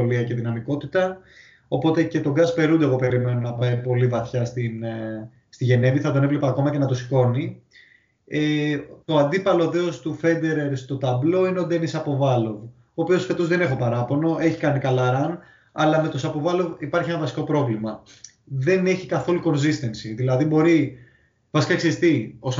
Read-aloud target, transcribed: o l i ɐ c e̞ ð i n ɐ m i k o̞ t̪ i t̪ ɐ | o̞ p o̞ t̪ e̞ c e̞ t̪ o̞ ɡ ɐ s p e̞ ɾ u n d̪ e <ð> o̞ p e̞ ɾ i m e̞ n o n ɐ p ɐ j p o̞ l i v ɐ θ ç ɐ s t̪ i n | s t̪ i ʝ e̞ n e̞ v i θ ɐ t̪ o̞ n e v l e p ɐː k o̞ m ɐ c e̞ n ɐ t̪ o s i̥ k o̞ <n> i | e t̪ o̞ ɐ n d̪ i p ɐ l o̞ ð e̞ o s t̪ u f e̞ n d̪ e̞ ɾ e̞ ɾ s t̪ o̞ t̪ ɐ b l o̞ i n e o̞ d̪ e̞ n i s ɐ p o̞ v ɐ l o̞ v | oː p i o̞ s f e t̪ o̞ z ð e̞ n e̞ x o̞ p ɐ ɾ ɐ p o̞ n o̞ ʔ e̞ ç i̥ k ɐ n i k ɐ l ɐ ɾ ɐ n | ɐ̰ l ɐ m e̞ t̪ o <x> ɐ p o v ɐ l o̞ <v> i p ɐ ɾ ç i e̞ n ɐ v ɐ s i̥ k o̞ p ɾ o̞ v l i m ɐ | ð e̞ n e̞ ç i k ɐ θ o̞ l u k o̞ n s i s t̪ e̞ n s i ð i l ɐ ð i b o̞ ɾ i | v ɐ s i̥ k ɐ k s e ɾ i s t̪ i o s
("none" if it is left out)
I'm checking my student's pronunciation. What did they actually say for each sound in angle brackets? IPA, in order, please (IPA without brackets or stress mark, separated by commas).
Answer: ɣ, n, s, v